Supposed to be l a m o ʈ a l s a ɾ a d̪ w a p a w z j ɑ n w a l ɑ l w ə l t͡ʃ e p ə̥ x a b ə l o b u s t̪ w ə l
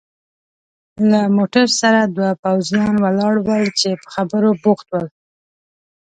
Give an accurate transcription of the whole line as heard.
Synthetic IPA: l a m o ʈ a ɾ s a ɾ a d̪ w a p a w z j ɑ n w a l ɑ ɽ w ə l t͡ʃ e p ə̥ x a b ə ɾ o b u x t̪ w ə l

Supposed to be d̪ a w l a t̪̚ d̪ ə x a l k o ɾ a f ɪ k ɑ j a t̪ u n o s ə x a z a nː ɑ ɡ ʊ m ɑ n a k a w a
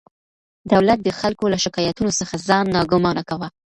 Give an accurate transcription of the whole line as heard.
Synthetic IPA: d̪ a w l a t̪̚ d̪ ə x a l k o l a ʃ ɪ k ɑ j a t̪ u n o s ə x a z ɑ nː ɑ ɡ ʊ m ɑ n a k a w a

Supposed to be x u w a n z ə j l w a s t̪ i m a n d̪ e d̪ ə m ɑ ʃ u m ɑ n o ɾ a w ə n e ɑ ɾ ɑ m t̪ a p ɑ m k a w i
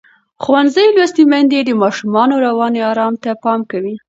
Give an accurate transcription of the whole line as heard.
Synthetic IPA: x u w a n z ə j l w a s t̪ i m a n d̪ e d̪ ə m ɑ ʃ u m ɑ n o ɾ a w ɑ n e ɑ ɾ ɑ m t̪ a p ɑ m k a w i

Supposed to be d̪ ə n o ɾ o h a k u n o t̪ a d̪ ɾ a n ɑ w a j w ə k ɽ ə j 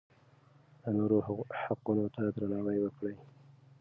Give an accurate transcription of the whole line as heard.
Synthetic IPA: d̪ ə n o ɾ o h a q u n o t̪ a d̪ ɾ a n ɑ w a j w ə k ɽ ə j

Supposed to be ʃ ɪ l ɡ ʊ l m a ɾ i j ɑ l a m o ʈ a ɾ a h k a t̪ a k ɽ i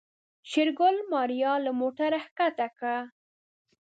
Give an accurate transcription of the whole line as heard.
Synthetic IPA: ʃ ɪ ɾ ɡ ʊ l m ɑ ɾ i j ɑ l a m o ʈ a ɾ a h k a t̪ a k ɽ a

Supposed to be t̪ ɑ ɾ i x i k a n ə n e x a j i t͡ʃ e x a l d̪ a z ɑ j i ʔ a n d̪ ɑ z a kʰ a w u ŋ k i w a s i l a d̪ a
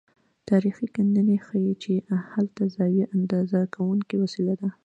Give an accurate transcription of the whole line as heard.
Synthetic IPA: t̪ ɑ ɾ i x i k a n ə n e x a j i t͡ʃ e h a l t̪ a z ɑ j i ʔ a n d̪ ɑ z a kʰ a w u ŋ k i w a s i l a d̪ a

